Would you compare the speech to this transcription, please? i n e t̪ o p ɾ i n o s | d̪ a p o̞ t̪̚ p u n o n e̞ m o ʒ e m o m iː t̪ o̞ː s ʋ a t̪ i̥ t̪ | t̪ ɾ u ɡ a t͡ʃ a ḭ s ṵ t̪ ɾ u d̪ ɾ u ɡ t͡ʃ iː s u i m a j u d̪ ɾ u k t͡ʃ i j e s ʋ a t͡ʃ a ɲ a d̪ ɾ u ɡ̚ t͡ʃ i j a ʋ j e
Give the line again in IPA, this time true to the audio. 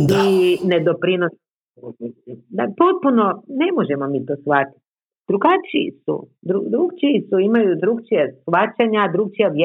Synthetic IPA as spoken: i n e d̪ o p ɾ i n o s | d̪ a p o̞ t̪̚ p u n o n e̞ m o ʒ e m o m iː t̪ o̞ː s ʋ a t̪ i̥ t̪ | d̪ ɾ u ɡ a t͡ʃ i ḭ s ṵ d̪ ɾ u d̪ ɾ u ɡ t͡ʃ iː s u i m a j u d̪ ɾ u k t͡ʃ i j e s ʋ a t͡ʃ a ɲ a d̪ ɾ u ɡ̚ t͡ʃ i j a ʋ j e